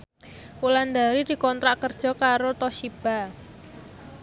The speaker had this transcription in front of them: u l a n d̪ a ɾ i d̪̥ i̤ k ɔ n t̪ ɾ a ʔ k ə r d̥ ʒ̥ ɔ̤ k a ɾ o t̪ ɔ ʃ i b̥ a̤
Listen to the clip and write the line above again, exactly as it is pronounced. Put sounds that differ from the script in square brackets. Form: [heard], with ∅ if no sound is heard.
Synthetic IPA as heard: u l a n d̪ a ɾ i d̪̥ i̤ k ɔ n t̪ ɾ a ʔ k ə r d̥ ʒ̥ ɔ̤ k a ɾ o t̪ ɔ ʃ i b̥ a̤

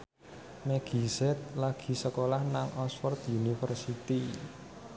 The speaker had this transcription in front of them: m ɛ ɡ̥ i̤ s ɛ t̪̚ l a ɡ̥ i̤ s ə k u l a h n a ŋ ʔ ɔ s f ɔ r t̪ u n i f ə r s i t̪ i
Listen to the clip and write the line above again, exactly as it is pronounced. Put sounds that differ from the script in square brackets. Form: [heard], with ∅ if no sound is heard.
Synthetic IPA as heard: m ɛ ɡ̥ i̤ s ɛ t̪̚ l a ɡ̥ i̤ s ə k [o] l a h n a ŋ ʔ ɔ s f ɔ r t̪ u n i f ə r s i t̪ i

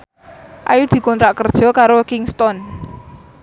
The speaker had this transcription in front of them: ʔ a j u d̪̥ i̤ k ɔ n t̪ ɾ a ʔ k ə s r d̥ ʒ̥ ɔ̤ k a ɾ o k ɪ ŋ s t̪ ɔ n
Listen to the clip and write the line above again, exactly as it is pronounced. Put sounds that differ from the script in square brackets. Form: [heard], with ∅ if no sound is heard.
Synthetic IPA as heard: ʔ a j u d̪̥ i̤ k ɔ n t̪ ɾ a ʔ k ə [∅] r d̥ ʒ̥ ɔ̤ k a ɾ o k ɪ ŋ s t̪ ɔ n

